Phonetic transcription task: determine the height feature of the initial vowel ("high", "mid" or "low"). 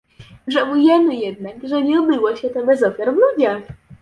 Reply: mid